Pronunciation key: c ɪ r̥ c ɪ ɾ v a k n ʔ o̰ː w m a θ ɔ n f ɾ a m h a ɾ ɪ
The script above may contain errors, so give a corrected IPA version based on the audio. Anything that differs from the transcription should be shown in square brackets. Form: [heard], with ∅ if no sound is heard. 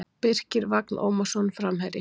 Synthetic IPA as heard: [p] ɪ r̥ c ɪ ɾ v a k n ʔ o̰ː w m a [s] ɔ n f ɾ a m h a ɾ ɪ